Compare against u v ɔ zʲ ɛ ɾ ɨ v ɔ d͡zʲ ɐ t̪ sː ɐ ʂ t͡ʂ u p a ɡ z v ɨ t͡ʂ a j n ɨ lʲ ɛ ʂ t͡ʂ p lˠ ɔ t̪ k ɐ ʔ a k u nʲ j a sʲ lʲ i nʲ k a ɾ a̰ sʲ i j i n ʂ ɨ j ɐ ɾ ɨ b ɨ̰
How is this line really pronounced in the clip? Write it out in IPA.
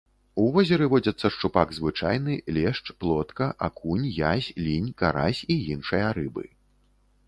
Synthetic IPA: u v ɔ zʲ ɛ ɾ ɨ v ɔ d͡zʲ ɐ t̪ sː ɐ ʂ t͡ʂ u p a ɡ z v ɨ t͡ʂ a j n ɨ lʲ ɛ ʂ t͡ʂ p lˠ ɔ t̪ k ɐ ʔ a k u nʲ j a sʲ lʲ i nʲ k a ɾ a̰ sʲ i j i n ʂ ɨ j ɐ ɾ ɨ b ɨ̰